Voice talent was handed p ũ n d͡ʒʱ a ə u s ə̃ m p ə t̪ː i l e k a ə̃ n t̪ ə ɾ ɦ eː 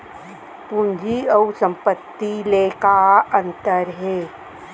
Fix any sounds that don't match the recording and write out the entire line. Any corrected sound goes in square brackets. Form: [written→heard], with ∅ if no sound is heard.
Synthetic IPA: p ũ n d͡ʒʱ [a→i] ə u s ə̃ m p ə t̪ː i l e k a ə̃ n t̪ ə ɾ ɦ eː